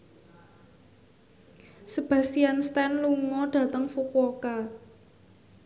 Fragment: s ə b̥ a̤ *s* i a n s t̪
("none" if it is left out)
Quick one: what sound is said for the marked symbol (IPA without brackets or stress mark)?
s